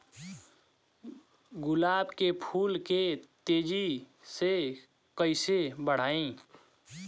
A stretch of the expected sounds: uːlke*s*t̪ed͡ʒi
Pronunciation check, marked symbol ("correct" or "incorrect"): incorrect